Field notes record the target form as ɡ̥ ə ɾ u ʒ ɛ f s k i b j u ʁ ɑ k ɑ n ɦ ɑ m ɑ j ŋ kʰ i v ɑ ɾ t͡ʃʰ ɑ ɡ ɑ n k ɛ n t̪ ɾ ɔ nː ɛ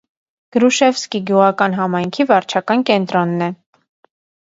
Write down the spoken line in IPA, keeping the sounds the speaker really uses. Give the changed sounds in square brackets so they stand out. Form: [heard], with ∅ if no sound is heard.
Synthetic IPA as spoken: ɡ̥ ə ɾ u [ʃ] ɛ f s k i [ɡ] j u ʁ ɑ k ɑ n ɦ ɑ m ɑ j ŋ kʰ i v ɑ ɾ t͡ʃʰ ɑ [k] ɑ n k ɛ n t̪ ɾ ɔ nː ɛ